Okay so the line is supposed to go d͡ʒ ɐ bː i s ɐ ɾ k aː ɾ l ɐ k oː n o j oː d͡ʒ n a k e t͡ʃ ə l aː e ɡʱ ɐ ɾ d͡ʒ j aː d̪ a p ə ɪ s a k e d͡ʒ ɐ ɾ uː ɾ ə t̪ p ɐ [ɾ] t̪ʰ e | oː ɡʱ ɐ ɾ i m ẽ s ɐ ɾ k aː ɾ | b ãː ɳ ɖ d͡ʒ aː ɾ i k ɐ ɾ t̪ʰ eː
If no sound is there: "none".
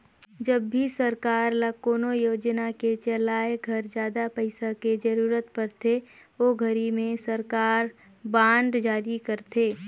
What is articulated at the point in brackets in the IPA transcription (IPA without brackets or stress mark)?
ɾ